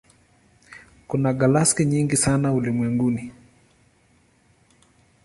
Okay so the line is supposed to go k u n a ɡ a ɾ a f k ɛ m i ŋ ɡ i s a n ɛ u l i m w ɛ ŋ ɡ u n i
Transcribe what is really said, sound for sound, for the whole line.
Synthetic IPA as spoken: k u n a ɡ a l a s k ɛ ɲ i ŋ ɡ i s a n a u l i m w ɛ ŋ ɡ u n i